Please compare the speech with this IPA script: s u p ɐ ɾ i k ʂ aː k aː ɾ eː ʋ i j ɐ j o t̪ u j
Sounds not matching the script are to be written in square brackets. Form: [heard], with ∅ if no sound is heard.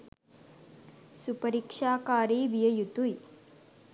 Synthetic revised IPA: s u p ɐ ɾ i k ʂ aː k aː ɾ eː ʋ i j ɐ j [u] t̪ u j